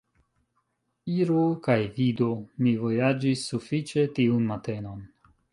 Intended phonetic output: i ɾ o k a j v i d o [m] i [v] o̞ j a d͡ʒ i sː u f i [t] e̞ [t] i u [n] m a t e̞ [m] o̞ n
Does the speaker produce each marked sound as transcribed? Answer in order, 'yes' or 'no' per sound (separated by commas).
yes, yes, no, yes, yes, no